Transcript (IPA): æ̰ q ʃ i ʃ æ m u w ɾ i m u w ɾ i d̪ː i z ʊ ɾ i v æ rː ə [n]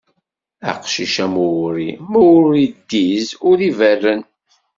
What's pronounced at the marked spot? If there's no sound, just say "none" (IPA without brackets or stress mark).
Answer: n